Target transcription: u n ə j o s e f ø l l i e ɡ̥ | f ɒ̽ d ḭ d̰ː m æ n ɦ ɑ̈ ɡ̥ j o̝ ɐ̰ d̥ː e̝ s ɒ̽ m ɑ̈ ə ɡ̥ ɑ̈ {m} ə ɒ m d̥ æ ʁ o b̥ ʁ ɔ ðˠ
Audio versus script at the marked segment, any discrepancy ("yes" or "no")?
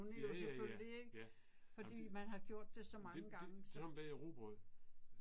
yes